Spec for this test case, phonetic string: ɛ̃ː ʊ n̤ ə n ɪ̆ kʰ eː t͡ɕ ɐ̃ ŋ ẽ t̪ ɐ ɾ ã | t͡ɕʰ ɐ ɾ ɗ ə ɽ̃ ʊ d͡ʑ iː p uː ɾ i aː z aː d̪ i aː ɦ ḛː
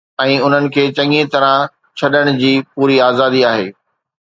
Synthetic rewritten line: ɛ̃ː ʊ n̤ ə n ɪ̆ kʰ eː t͡ɕ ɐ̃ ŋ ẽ t̪ ɐ ɾ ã | t͡ɕʰ ɐ ɗ ə ɽ̃ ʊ d͡ʑ iː p uː ɾ i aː z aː d̪ i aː ɦ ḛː